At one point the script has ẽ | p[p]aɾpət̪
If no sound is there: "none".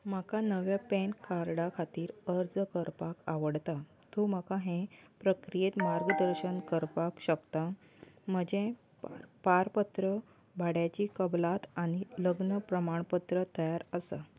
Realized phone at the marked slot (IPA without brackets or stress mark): p